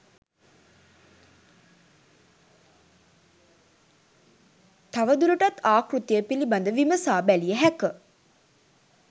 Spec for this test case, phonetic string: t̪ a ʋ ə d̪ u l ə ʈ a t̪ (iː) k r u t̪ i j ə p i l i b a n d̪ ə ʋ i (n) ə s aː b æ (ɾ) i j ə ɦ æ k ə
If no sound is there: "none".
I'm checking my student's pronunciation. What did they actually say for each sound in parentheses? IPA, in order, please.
aː, m, l

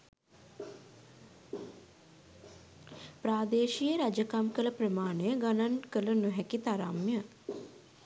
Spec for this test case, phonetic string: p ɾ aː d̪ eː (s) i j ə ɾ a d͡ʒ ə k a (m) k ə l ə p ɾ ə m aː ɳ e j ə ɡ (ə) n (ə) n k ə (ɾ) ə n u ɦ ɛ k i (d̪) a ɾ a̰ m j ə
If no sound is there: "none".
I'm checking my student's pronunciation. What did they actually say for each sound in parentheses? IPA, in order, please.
ʃ, m, a, a, l, t̪

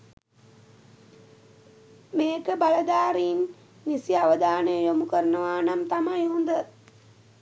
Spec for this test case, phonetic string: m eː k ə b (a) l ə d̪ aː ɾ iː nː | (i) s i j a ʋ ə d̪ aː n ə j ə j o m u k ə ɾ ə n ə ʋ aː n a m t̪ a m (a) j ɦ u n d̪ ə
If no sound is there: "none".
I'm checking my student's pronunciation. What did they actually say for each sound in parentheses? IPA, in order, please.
a, i, a

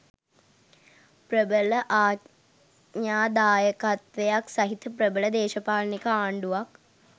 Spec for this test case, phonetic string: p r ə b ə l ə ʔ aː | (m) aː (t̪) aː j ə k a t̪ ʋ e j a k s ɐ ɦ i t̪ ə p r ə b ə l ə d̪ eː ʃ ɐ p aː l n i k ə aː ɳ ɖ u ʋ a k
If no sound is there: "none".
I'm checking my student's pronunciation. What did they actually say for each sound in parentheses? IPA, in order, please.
ɲ, d̪

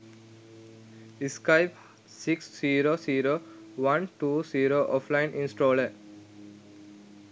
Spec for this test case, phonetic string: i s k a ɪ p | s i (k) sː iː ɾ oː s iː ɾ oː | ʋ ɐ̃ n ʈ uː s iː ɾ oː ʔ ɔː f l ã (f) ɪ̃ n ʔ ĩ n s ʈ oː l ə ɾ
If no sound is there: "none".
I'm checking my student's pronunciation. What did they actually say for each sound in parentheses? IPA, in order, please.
k, none

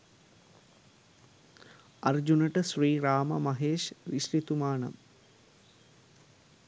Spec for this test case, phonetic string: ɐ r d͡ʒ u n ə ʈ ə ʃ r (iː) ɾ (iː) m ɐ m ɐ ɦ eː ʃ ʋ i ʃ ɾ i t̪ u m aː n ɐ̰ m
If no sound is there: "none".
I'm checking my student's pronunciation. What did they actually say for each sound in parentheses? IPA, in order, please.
iː, aː

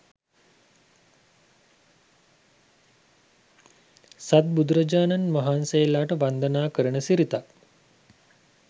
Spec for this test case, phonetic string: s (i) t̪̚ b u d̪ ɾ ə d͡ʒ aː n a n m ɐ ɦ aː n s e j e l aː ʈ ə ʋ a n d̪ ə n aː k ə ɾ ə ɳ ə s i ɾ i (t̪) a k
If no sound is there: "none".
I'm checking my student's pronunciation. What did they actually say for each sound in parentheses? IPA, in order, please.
a, t̪

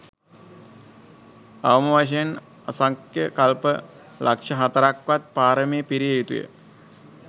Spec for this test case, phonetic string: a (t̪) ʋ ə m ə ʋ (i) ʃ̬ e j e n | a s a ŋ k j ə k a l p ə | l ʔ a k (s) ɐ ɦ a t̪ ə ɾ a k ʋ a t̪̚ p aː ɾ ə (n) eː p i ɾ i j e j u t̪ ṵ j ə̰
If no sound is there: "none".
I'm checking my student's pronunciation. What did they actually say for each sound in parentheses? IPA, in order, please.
none, a, ʂ, m

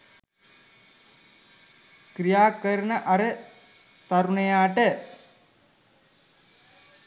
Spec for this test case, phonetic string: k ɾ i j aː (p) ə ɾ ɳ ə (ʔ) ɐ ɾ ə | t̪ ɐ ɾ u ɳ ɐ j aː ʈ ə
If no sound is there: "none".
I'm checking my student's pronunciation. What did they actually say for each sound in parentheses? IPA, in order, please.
k, ʔ

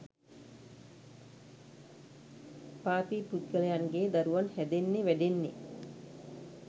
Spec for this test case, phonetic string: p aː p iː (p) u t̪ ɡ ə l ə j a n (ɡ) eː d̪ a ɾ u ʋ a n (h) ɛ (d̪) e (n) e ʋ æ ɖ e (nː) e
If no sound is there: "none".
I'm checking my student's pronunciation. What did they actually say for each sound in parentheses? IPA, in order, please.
p, ɡ, h, d̪, nː, nː

